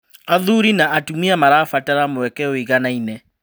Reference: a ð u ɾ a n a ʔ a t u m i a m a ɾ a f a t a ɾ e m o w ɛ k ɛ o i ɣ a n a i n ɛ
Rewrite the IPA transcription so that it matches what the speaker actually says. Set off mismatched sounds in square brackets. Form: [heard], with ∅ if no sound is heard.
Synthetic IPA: a ð u ɾ [i] n a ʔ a t u m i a m a ɾ a f a t a ɾ [a] m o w ɛ k ɛ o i ɣ a n a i n ɛ